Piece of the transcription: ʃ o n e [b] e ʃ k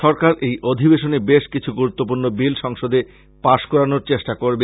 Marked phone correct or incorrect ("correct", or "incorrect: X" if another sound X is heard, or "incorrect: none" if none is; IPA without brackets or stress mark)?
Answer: correct